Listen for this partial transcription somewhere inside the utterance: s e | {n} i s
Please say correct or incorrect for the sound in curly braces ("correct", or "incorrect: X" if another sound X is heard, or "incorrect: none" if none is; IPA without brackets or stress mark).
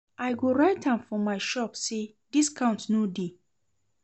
incorrect: d